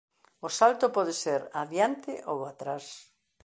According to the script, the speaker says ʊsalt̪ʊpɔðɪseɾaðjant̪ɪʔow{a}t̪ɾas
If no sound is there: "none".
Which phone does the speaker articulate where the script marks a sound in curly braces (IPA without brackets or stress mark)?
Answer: a